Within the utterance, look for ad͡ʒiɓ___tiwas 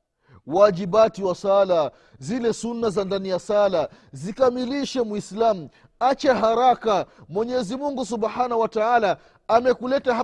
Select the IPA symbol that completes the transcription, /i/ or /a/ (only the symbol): a